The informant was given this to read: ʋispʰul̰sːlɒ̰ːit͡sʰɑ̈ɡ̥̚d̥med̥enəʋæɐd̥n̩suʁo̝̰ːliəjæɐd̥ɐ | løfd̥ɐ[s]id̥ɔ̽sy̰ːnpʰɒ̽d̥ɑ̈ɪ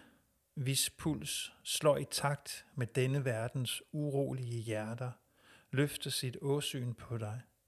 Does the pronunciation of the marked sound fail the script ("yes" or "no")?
no